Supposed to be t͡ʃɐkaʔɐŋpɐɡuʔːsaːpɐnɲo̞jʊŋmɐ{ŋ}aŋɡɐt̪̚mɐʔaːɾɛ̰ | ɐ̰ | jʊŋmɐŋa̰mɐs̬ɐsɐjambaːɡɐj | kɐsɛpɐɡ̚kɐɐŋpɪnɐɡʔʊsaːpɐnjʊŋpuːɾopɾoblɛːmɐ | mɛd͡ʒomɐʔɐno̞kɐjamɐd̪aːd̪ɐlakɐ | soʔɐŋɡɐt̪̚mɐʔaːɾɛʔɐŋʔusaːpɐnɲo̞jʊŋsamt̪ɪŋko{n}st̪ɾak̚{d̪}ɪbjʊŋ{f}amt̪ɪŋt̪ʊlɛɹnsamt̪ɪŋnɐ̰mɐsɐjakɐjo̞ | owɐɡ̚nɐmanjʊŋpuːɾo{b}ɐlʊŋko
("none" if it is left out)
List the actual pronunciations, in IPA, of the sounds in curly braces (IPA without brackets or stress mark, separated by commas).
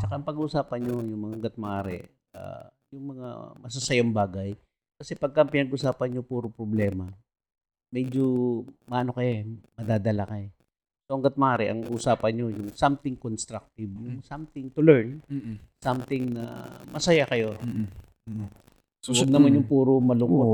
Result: ŋ, n, t̪, s, m